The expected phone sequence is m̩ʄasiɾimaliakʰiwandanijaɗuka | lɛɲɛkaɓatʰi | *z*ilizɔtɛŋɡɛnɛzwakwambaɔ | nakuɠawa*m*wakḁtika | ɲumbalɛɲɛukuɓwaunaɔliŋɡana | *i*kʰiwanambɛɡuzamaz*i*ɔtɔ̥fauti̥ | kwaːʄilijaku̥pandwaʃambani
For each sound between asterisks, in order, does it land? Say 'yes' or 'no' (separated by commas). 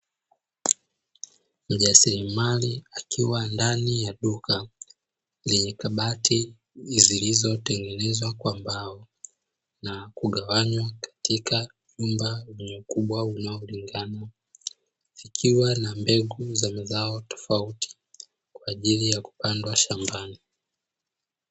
yes, no, yes, no